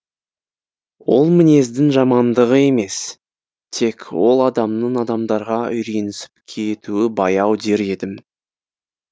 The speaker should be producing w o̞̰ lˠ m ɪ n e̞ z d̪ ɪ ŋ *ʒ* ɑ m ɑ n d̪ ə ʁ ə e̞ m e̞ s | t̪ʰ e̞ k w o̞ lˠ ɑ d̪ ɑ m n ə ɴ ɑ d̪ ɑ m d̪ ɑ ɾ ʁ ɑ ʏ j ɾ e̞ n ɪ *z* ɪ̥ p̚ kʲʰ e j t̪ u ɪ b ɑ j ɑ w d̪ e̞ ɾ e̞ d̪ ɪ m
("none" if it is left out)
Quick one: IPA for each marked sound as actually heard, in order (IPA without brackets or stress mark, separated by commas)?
ʒ, s